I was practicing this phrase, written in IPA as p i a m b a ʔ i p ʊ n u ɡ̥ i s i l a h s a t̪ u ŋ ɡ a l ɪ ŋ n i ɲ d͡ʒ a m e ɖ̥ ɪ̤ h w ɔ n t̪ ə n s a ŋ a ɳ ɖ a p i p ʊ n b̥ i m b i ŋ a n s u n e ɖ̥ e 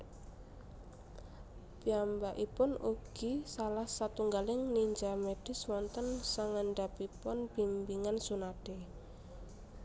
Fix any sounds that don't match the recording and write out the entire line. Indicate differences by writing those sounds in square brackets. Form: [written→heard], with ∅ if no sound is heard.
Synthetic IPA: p i a m b a ʔ i p ʊ n u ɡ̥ i s [i→a] l a h s a t̪ u ŋ ɡ a l ɪ ŋ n i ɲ d͡ʒ a m e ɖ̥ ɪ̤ [h→s] w ɔ n t̪ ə n s a ŋ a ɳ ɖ a p i p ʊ n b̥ i m b i ŋ a n s u n [e→a] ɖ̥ e